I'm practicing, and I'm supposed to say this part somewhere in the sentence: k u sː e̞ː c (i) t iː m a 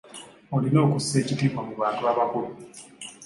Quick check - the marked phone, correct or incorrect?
correct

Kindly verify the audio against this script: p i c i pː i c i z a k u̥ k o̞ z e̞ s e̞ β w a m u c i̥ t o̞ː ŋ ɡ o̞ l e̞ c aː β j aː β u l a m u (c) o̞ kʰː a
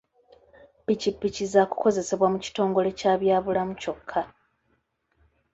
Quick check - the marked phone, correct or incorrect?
correct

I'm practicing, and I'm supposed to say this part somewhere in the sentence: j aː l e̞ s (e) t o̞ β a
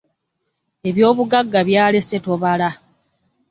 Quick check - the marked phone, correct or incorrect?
correct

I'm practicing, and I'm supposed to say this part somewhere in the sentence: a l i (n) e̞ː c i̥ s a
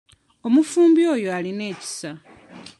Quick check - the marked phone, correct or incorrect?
correct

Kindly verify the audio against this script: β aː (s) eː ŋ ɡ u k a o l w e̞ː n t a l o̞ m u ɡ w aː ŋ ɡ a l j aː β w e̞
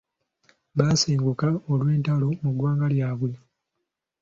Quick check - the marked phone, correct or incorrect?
correct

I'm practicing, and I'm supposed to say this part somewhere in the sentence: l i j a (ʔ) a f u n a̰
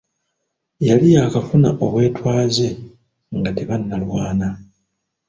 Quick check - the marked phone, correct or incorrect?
incorrect: k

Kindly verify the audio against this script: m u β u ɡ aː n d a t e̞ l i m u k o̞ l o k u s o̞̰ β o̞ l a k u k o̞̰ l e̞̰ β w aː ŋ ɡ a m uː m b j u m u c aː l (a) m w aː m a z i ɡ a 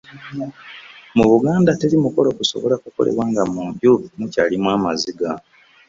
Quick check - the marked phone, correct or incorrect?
incorrect: i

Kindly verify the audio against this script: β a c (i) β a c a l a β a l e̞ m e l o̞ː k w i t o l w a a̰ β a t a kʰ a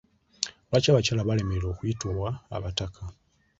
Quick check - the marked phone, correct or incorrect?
incorrect: a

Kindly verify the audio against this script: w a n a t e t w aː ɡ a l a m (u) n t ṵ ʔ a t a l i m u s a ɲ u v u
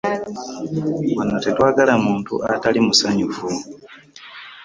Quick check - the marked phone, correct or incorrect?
incorrect: uː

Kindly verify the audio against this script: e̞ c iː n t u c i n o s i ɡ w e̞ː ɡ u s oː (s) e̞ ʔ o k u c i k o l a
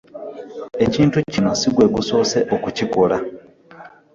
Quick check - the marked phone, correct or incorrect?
correct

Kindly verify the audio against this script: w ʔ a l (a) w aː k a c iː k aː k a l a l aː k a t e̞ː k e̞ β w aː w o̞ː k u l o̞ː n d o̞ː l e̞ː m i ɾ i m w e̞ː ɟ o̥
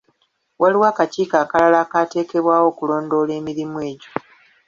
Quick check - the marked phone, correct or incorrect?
incorrect: i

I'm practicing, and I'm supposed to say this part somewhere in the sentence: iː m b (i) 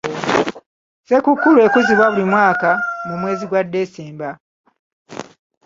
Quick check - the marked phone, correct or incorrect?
incorrect: a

